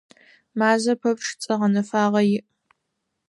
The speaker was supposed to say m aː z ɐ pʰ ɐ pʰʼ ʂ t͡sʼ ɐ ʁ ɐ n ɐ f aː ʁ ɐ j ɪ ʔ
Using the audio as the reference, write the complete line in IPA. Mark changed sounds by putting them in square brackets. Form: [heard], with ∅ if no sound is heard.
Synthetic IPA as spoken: m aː z ɐ pʰ ɐ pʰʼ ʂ t͡sʼ ɐ ʁ ɐ n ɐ f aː ʁ ɐ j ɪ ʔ